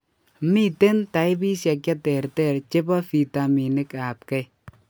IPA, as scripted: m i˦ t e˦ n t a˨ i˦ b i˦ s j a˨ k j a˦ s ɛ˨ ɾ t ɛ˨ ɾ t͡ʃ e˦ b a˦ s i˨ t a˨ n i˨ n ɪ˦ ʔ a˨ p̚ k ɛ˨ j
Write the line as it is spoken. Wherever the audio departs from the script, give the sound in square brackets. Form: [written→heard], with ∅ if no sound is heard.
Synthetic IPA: m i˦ t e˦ n t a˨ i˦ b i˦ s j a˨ k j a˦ [s→t] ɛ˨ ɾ t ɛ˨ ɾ t͡ʃ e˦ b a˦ [s→f] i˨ t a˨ [n→m] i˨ n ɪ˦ [ʔ→k] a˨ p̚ k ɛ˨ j